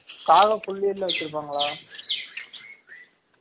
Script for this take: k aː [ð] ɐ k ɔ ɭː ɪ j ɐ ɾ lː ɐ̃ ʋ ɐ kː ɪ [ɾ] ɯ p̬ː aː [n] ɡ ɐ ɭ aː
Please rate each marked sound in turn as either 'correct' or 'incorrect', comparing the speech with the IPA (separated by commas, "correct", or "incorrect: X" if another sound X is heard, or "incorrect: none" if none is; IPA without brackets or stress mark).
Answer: incorrect: ɣ, correct, incorrect: ŋ